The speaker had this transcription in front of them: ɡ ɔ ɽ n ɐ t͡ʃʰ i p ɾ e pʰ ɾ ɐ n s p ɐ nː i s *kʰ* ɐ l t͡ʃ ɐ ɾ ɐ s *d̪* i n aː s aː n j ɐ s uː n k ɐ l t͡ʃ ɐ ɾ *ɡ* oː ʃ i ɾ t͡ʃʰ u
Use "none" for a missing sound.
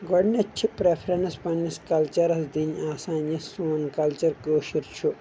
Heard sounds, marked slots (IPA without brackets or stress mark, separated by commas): k, d̪, k